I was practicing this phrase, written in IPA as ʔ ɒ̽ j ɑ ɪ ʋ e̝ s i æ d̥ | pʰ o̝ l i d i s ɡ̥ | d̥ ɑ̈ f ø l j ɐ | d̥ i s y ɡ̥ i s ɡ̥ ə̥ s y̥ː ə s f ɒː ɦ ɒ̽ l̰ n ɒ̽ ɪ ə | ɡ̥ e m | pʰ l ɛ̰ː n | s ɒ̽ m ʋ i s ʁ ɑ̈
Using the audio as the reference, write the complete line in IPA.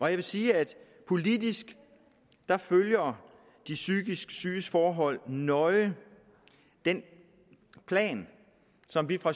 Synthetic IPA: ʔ ɒ̽ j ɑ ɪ ʋ e̝ s iː æ d̥ | pʰ o̝ l i d i s ɡ̥ | d̥ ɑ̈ f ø l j ɐ | d̥ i s y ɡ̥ i s ɡ̥ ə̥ s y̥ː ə s f ɒː ɦ ɒ̽ l̰ n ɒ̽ ɪ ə | d̥ e n | pʰ l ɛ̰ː n | s ɒ̽ m ʋ i f ʁ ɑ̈

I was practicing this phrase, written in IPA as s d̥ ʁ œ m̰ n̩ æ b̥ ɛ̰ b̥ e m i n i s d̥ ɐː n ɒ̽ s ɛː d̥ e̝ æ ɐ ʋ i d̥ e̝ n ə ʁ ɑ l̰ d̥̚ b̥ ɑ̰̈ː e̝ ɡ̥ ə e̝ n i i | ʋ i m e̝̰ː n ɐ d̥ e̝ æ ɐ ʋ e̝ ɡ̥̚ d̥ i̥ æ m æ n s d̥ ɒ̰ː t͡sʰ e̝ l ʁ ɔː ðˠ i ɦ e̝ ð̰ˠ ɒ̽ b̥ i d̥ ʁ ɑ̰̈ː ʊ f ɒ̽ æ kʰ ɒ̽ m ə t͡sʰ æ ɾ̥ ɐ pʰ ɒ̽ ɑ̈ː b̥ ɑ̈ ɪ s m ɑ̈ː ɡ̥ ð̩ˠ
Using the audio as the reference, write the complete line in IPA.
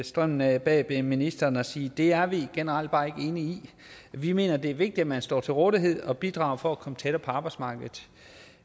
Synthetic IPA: s d̥ ʁ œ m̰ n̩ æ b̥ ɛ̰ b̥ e m i n i s d̥ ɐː n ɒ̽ s iː d̥ e̝ æ ɐ ʋ i ɡ̥ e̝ n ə ʁ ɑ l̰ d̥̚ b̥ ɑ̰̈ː e̝ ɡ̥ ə e̝ n i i | ʋ i m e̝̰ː n ɐ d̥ e̝ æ ɐ ʋ e̝ ɡ̥̚ d̥ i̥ æ m æ n s d̥ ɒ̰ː t͡sʰ e̝ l ʁ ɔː ðˠ i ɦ e̝ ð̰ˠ ɒ̽ b̥ i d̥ ʁ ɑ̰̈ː ʊ f ɒ̽ æ kʰ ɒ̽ m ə t͡sʰ e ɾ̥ ɐ pʰ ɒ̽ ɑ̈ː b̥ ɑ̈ ɪ s m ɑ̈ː ɡ̥ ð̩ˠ

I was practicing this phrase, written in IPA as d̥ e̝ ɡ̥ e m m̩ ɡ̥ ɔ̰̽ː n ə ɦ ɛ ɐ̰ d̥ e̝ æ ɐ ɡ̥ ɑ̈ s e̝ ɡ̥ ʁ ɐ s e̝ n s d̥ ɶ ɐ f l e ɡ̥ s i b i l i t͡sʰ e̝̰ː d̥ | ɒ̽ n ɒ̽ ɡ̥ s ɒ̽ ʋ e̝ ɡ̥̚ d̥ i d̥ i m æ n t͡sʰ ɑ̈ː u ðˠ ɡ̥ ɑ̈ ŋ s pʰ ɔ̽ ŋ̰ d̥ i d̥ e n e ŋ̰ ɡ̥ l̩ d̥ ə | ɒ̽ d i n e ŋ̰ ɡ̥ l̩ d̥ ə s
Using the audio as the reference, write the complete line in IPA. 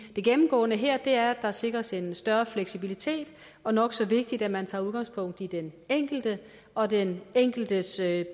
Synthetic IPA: d̥ e̝ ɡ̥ e m m̩ ɡ̥ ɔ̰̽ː n ə ɦ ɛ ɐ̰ d̥ e̝ æ ɐ d̥ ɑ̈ s e̝ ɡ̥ ʁ ɐ s e̝ n s d̥ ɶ ɐ f l e ɡ̥ s i b i l i t͡sʰ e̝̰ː d̥ | ɒ̽ n ɒ̽ ɡ̥ s ɒ̽ ʋ e̝ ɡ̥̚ d̥ i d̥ æ m æ n t͡sʰ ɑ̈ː u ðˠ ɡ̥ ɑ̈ ŋ s pʰ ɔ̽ ŋ̰ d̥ i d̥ e n e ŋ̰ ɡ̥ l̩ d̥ ə | ɒ̽ d e n e ŋ̰ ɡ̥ l̩ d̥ ə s

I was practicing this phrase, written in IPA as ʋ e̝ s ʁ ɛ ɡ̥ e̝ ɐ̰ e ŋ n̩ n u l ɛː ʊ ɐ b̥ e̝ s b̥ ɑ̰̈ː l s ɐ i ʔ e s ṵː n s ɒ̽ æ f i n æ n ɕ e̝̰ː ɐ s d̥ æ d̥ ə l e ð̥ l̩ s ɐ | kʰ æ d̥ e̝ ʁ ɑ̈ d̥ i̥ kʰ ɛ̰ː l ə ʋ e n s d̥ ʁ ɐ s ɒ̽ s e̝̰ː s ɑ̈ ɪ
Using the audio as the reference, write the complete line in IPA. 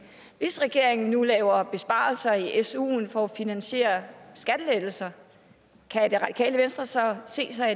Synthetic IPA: ʋ e̝ s ʁ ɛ ɡ̥ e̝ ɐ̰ e ŋ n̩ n u l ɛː ʊ ɐ b̥ e̝ s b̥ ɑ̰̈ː l s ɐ i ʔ e s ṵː n f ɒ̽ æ f i n æ n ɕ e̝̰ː ɐ s ɡ̥ æ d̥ ə l e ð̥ l̩ s ɐ | kʰ æ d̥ e̝ ʁ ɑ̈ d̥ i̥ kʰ ɛ̰ː l ə ʋ e n s d̥ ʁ ɐ s ɒ̽ s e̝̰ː s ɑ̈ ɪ

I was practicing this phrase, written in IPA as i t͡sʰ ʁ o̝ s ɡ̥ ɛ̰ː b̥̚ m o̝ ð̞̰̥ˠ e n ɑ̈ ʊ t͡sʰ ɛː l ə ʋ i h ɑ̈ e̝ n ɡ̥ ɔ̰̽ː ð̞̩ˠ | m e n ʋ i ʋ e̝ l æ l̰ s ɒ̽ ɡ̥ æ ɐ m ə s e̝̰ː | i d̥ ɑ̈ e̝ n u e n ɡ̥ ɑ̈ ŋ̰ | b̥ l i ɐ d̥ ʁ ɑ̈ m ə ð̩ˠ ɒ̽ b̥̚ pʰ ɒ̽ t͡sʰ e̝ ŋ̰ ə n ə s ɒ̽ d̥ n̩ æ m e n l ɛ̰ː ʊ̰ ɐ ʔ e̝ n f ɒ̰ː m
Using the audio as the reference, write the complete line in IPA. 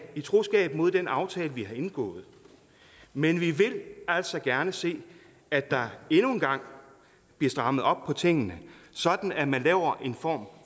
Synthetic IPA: i t͡sʰ ʁ o̝ s ɡ̥ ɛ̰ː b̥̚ m o̝ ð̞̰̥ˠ e n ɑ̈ ʊ t͡sʰ ɛː l ə ʋ i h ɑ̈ e̝ n ɡ̥ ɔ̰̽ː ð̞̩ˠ | m e n ʋ i ʋ e̝ l æ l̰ s ɒ̽ ɡ̥ æ ɐ n ə s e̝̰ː | æ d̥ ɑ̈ e̝ n u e n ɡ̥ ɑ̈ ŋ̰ | b̥ l i ɐ d̥ ʁ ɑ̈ m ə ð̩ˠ ɒ̽ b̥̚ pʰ ɒ̽ t͡sʰ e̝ ŋ̰ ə n ə s ɒ̽ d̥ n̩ æ m æ n l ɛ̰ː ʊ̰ ɐ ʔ e̝ n f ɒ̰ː m

